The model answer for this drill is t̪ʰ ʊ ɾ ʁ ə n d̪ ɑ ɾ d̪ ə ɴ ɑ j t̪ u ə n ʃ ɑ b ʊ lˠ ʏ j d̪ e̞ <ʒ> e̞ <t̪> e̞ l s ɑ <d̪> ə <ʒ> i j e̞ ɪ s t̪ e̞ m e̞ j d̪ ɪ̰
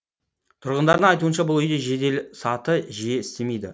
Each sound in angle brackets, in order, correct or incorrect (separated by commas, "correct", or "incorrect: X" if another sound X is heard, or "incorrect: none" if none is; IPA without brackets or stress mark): correct, incorrect: d̪, incorrect: t̪, correct